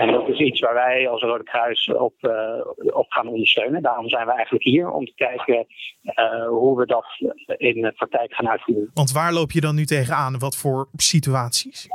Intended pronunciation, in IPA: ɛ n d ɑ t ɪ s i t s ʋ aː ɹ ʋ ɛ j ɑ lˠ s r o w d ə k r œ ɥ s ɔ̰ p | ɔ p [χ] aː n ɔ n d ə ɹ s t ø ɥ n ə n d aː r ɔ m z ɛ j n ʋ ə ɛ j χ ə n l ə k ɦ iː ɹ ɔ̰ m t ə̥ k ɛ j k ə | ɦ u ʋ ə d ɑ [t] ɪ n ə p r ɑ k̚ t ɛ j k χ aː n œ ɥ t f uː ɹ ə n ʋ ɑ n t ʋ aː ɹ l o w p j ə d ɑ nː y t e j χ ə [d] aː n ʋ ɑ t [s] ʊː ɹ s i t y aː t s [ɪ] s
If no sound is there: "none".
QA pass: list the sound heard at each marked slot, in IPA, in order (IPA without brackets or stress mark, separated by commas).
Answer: χ, t, n, f, i